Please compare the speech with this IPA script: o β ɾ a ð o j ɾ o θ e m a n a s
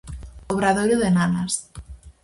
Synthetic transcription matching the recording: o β ɾ a ð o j ɾ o ð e n a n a s